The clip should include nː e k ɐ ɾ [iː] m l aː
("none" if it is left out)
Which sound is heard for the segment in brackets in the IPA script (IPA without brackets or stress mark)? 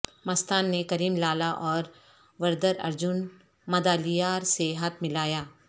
iː